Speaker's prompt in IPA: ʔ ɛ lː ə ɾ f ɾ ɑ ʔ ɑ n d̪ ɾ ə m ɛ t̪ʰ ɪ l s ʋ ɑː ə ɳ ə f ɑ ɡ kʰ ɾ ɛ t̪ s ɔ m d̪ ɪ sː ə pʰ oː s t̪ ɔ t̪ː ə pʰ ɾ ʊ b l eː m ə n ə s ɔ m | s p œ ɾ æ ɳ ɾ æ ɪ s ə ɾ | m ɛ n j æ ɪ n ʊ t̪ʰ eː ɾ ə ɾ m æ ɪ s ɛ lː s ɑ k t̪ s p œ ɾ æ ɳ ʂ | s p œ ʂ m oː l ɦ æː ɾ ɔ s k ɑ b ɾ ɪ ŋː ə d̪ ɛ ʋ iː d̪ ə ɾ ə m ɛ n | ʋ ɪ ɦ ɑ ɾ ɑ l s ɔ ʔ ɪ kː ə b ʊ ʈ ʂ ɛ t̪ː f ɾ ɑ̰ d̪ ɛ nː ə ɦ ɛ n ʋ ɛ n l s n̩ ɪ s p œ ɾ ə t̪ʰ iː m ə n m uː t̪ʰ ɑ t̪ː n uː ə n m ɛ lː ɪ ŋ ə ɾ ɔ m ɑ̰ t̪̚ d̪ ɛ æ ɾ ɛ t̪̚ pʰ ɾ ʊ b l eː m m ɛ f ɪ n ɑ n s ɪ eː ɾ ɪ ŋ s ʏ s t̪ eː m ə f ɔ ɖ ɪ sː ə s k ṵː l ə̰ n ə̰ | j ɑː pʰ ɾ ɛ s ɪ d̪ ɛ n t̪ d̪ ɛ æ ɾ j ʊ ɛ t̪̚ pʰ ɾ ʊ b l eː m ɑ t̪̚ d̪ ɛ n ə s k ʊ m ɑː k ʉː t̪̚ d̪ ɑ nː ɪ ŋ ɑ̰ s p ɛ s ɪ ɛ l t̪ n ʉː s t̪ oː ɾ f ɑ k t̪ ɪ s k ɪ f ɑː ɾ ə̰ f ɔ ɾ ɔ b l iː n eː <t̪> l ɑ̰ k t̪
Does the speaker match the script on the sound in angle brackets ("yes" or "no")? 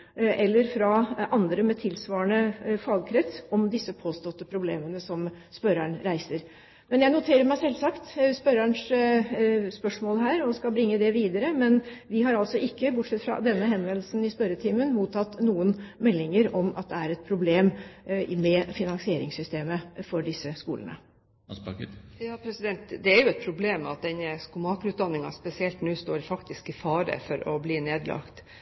no